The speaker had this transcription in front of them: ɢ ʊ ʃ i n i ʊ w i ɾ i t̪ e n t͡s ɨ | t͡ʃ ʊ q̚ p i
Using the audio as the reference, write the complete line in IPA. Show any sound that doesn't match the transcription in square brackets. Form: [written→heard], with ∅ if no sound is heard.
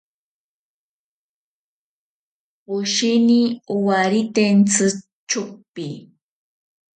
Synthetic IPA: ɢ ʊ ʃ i n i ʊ w [i→a] ɾ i t̪ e n t͡s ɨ | t͡ʃ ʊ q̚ p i